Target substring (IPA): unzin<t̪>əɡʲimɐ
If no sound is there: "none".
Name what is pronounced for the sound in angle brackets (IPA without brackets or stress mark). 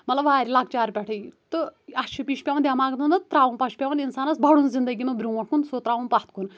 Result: d̪